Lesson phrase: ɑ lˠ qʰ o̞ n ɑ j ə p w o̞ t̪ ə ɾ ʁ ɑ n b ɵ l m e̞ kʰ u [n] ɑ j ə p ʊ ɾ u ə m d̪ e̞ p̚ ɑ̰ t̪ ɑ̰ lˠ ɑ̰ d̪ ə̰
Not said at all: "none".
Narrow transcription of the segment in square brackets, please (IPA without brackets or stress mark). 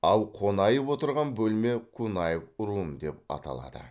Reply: n